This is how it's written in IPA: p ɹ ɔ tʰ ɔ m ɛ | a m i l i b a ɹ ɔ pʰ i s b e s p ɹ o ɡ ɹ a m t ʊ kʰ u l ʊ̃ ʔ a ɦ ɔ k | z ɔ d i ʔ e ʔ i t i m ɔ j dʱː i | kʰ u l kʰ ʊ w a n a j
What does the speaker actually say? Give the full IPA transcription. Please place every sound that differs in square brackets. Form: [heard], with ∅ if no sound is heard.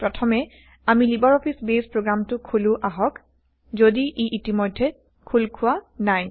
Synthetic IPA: p ɹ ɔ tʰ ɔ m ɛ | a m i l i b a ɹ ɔ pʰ i s b e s p ɹ o ɡ ɹ a m t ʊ kʰ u l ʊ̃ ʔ a ɦ ɔ k | z [o] d i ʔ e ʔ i t i m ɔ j dʱː [ɛ] | kʰ u l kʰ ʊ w a n a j